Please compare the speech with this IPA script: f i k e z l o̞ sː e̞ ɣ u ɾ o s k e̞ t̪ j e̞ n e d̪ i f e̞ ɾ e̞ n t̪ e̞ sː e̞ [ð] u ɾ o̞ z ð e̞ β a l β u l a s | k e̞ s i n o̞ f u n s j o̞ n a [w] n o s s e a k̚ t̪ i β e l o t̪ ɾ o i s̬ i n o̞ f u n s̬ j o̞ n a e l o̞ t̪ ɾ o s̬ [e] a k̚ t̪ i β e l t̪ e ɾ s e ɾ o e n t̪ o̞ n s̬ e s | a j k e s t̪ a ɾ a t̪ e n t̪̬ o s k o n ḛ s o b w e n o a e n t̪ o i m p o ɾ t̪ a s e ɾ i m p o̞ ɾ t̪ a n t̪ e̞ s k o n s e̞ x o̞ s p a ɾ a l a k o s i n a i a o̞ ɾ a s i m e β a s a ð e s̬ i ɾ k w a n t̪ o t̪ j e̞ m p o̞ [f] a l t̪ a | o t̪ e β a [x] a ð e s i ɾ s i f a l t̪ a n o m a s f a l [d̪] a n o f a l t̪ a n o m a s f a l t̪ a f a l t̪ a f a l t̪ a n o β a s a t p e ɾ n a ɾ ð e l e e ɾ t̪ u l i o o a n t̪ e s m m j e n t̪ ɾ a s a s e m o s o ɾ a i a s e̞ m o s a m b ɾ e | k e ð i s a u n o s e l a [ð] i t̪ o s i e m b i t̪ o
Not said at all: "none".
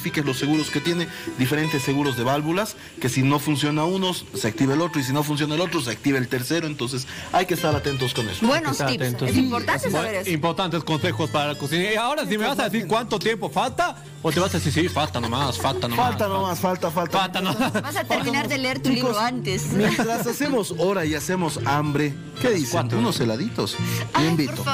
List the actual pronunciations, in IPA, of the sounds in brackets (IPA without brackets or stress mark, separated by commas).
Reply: ɣ, u, e, f, s, t̪, ð